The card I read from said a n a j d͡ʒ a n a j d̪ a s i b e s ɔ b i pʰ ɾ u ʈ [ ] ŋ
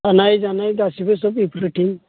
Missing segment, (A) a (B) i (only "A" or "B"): B